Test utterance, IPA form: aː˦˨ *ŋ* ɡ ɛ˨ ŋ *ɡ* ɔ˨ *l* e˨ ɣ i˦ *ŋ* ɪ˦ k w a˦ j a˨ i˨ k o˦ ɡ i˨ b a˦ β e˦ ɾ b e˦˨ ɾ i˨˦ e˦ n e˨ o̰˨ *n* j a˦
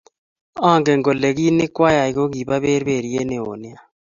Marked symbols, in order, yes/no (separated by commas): yes, yes, yes, no, yes